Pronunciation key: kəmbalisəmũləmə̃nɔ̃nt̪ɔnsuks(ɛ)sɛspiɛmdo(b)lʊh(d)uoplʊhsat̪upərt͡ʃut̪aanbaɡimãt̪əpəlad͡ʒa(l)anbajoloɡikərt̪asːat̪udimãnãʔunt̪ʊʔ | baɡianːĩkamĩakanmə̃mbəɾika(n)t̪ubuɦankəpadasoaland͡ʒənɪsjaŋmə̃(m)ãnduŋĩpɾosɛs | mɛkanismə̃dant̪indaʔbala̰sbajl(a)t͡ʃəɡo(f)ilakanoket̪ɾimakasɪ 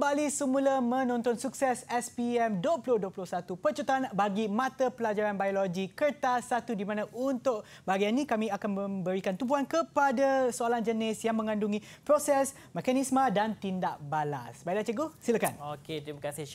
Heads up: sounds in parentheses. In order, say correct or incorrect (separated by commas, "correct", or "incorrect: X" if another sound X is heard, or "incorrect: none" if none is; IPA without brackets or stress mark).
correct, incorrect: p, correct, incorrect: ɾ, correct, incorrect: ŋ, correct, incorrect: s